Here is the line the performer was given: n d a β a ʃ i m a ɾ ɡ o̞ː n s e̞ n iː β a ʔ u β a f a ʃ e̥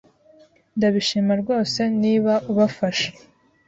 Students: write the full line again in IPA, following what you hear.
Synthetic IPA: n d a β i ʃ i m a ɾ ɡ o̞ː s e̞ n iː β a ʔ u β a f a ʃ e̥